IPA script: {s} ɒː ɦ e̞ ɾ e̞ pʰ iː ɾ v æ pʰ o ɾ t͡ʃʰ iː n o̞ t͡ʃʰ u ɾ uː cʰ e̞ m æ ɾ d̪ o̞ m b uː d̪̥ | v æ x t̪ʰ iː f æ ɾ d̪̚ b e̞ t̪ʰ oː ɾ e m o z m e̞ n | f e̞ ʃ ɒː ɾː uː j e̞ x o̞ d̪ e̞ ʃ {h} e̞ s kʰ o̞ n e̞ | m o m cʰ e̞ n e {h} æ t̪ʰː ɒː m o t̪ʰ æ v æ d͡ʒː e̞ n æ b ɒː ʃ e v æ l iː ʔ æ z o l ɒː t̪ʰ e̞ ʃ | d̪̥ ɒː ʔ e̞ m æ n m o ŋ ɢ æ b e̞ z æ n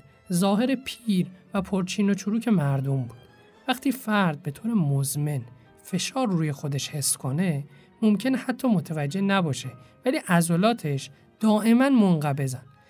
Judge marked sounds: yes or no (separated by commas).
no, yes, yes